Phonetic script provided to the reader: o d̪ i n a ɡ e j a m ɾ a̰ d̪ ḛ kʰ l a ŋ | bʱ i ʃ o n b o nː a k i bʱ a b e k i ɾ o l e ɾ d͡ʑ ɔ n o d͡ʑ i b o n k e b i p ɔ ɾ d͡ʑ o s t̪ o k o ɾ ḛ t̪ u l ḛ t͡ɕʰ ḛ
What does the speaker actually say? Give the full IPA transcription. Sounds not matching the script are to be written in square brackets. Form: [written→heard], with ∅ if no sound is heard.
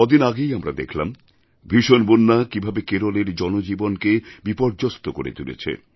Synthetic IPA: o d̪ i n a ɡ e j a m ɾ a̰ d̪ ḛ kʰ l a [ŋ→m] | bʱ i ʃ o n b o nː a k i bʱ a b e k [i→e] ɾ o l e ɾ d͡ʑ ɔ n o d͡ʑ i b o n k e b i p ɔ ɾ d͡ʑ o s t̪ o k o ɾ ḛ t̪ u l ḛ t͡ɕʰ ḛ